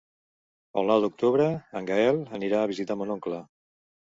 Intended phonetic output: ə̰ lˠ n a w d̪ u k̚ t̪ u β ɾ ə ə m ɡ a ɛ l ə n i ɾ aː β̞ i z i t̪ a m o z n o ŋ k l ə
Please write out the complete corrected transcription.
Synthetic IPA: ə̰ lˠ n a w d̪ u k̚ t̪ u β ɾ ə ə ŋ ɡ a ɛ l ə n i ɾ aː β̞ i z i t̪ a m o n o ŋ k l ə